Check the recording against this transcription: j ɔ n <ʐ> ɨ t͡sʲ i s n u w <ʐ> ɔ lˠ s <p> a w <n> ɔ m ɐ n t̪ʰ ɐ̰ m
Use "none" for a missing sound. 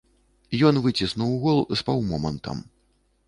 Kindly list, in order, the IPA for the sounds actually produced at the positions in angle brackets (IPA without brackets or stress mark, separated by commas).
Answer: v, ɣ, p, m